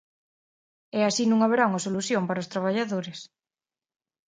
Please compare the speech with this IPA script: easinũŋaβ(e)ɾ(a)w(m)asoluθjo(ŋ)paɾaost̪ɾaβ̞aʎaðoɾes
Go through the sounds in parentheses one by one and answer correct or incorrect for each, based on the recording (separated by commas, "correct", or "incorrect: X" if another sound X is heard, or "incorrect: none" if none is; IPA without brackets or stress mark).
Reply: correct, correct, incorrect: ŋ, incorrect: m